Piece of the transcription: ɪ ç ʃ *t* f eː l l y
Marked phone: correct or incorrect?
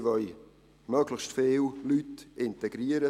correct